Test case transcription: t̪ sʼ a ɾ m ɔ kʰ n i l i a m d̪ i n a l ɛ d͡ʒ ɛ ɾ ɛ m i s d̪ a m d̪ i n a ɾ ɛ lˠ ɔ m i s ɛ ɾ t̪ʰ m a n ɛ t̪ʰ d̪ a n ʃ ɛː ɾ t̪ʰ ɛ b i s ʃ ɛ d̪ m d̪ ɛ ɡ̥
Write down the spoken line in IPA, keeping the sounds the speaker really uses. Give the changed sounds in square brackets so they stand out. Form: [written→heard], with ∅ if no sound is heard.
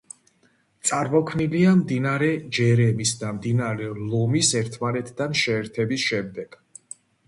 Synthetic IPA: t̪ sʼ a ɾ m ɔ kʰ n i l i a m d̪ i n a [l→ɾ] ɛ d͡ʒ ɛ ɾ ɛ m i s d̪ a m d̪ i n a ɾ ɛ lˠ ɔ m i s ɛ ɾ t̪ʰ m a n ɛ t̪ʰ d̪ a n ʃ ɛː ɾ t̪ʰ ɛ b i s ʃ ɛ [d̪→∅] m d̪ ɛ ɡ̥